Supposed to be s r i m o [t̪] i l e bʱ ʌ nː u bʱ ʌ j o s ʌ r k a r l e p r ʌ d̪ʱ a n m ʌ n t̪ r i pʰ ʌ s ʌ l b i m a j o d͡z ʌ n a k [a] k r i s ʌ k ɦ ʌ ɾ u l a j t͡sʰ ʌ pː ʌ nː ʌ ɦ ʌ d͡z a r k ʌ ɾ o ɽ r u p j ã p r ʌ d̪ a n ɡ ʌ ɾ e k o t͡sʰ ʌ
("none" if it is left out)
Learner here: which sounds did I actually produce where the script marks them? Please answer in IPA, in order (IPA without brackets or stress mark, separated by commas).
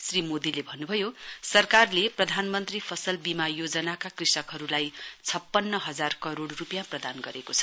d̪, a